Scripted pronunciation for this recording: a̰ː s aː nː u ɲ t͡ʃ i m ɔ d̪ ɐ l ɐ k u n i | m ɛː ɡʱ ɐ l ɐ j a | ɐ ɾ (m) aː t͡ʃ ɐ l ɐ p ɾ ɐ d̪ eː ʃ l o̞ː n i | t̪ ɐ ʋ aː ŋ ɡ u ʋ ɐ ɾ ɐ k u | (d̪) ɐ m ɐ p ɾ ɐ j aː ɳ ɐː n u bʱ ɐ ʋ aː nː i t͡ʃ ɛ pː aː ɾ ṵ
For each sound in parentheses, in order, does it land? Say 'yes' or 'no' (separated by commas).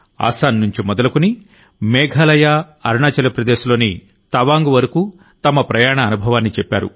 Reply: no, no